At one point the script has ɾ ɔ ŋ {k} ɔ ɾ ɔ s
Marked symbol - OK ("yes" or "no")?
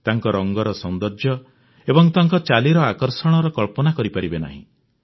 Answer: no